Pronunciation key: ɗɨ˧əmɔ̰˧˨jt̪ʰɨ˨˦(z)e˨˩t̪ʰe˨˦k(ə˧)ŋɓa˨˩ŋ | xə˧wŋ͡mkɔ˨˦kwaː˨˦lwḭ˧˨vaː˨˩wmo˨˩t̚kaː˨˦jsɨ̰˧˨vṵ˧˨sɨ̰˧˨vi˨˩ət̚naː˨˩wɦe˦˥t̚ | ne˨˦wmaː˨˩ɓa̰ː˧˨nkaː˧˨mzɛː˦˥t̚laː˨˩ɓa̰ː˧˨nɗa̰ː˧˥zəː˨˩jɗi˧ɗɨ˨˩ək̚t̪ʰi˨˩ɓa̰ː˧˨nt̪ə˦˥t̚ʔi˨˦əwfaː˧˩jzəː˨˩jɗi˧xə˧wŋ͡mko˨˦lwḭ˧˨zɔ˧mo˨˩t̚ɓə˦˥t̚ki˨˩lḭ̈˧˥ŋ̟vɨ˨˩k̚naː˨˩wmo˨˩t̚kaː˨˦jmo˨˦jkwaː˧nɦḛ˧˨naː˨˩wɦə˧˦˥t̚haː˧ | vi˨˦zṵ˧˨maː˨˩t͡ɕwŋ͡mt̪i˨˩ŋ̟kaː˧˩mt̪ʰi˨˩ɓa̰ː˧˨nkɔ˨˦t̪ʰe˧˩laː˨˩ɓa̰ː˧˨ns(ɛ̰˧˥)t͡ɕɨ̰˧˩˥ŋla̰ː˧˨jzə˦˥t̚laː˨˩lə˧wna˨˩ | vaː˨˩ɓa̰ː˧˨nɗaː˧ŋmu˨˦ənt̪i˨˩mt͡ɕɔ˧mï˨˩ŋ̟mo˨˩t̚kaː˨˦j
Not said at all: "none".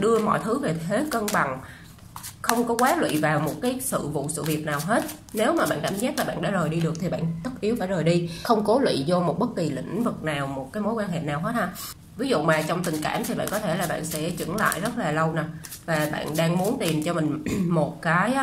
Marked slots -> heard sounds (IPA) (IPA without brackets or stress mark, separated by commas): v, ə˧, ɛ̰˧˥